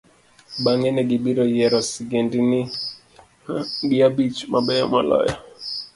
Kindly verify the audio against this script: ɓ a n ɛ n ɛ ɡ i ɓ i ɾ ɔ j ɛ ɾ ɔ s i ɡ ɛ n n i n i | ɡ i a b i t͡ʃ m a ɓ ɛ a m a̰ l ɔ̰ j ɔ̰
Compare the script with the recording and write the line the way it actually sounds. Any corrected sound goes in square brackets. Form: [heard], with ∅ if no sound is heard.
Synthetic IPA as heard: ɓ a [ŋ] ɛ n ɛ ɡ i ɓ i ɾ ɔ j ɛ ɾ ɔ s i ɡ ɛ n [d] i n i | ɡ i a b i t͡ʃ m a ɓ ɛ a m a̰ l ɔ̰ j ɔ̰